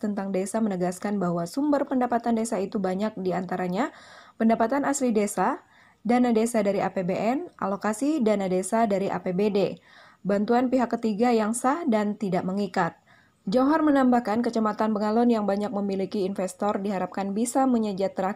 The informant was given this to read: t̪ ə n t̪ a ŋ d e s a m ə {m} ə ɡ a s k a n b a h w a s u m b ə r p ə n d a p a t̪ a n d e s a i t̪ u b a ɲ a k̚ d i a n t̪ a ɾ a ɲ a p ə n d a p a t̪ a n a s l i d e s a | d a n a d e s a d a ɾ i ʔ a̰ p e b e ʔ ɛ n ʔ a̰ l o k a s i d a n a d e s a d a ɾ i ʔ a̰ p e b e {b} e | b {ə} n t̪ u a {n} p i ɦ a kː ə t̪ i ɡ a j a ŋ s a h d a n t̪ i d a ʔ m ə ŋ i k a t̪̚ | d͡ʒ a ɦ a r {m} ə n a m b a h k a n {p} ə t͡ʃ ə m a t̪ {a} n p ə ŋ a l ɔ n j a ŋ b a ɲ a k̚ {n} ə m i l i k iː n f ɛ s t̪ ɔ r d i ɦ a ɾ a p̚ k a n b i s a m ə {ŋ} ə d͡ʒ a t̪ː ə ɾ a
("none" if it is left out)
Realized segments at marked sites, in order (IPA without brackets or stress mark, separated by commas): n, d, a, n, m, k, a, m, ɲ